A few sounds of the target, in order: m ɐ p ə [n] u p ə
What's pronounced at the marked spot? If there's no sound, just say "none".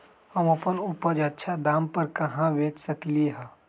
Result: n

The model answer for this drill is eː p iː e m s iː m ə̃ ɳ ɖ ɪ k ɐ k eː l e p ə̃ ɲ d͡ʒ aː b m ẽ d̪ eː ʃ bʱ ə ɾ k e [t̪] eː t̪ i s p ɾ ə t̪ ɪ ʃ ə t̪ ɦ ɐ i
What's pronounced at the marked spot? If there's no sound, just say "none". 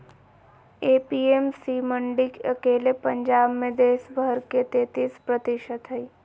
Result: t̪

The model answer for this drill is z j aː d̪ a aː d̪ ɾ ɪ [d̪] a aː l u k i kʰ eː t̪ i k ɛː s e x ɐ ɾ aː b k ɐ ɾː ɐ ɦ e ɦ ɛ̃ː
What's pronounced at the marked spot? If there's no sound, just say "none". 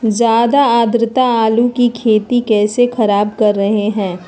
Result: t̪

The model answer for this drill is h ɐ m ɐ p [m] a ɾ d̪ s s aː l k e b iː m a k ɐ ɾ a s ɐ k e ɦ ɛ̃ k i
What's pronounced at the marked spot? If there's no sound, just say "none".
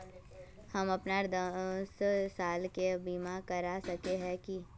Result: n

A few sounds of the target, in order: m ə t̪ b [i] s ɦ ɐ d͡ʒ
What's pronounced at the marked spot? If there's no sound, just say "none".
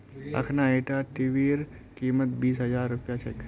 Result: iː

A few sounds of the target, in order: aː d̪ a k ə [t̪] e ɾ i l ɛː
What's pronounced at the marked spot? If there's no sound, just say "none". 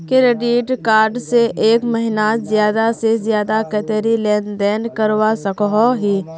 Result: t̪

